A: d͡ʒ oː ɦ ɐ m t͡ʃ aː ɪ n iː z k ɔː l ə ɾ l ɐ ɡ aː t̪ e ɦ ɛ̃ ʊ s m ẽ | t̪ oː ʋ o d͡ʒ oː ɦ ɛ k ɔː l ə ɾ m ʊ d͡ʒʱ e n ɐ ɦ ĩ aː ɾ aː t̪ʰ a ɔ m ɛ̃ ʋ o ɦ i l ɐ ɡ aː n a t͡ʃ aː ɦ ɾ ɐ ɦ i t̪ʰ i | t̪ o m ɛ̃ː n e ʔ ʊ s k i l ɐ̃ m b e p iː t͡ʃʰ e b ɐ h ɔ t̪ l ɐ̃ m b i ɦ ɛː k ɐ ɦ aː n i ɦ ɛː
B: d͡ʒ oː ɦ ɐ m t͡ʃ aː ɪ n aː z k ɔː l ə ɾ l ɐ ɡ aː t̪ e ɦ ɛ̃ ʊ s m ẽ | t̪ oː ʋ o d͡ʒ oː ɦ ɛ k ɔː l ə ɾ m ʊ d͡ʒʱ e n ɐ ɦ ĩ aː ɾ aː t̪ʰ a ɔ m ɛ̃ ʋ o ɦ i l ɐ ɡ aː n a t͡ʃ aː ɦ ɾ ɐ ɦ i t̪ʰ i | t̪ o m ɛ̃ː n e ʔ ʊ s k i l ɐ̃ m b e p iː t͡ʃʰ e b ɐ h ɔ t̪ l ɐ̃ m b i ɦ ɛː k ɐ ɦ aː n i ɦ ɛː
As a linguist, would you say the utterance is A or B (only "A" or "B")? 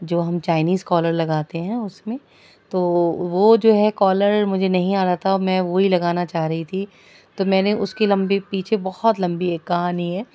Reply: A